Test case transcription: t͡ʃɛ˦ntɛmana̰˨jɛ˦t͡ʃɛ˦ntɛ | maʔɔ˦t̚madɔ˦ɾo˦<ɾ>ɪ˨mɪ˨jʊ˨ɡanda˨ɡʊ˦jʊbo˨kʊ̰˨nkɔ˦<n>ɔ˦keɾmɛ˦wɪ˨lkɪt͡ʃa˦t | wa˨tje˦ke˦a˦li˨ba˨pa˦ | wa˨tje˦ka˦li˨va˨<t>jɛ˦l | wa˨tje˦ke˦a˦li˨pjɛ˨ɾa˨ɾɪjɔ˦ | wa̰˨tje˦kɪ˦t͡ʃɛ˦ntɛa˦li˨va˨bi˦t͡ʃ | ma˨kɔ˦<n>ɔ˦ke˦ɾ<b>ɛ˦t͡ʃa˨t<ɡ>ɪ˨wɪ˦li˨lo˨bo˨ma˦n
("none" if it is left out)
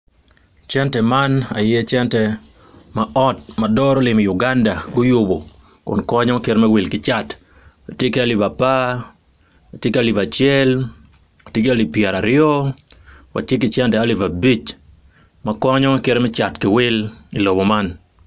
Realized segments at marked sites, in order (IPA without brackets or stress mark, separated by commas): l, ɲ, t͡ʃ, ɲ, m, k